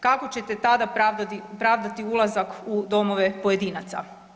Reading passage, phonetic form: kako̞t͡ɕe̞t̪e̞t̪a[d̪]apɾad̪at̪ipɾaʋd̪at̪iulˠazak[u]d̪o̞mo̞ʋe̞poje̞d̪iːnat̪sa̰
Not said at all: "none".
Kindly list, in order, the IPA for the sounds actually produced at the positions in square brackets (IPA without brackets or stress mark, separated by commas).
d̪, u